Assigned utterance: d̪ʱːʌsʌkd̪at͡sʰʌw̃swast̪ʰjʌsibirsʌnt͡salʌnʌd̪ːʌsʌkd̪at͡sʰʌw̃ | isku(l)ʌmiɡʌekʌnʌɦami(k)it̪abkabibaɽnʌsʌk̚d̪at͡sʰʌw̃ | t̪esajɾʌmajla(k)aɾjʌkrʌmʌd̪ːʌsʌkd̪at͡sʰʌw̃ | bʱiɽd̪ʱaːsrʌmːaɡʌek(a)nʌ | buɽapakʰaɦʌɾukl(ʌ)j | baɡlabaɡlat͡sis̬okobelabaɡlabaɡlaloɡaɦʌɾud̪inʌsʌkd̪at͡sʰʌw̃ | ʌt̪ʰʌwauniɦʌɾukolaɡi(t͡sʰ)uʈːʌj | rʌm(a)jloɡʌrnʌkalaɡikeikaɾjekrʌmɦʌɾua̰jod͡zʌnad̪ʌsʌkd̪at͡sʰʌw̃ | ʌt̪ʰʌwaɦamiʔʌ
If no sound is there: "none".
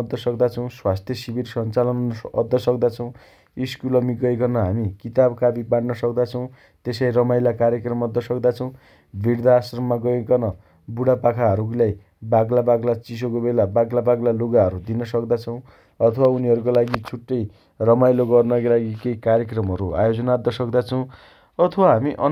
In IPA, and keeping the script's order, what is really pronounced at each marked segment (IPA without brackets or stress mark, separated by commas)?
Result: l, k, k, ʌ, a, t͡sʰ, a